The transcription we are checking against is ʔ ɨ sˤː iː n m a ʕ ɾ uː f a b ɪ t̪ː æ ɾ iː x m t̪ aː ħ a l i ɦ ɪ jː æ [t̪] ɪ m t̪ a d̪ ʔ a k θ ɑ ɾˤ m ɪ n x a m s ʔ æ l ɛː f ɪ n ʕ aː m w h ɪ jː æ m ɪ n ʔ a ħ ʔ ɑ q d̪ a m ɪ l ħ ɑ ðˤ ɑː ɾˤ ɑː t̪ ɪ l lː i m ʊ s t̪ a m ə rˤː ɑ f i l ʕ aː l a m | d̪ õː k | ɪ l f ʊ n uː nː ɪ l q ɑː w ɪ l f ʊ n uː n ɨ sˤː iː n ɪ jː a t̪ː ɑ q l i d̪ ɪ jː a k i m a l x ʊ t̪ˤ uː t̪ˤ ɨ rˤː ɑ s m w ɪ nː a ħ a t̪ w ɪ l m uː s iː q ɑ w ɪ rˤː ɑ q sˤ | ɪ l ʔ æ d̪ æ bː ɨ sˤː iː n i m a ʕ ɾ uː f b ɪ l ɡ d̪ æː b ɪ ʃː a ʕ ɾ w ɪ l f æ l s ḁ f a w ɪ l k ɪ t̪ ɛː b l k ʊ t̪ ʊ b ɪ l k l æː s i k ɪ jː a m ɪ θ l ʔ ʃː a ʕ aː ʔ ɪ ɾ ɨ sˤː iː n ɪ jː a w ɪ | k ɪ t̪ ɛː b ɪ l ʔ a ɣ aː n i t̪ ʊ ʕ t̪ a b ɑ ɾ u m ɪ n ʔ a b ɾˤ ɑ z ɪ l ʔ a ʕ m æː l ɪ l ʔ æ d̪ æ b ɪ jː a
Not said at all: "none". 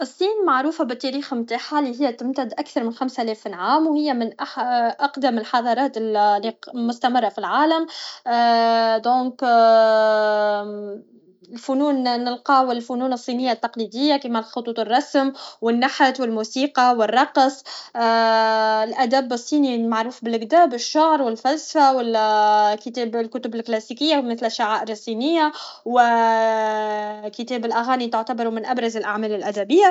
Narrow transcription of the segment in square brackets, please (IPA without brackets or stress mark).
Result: t̪